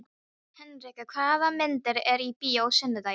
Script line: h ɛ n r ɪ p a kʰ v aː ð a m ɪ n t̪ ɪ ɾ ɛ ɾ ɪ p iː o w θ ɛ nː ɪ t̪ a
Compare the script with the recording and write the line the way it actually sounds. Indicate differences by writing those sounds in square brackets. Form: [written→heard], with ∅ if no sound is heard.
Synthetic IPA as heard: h ɛ n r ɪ [p→k] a kʰ v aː ð a m ɪ n t̪ ɪ ɾ ɛ ɾ [ɪ→i] p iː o w [θ→s] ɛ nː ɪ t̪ a